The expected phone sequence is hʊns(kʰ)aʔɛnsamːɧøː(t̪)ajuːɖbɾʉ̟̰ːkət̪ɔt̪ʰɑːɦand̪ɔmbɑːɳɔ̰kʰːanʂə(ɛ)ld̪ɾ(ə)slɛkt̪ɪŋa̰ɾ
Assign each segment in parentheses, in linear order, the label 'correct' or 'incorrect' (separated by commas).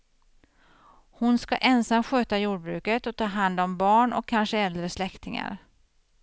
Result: incorrect, correct, correct, correct